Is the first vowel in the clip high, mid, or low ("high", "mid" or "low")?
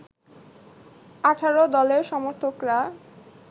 low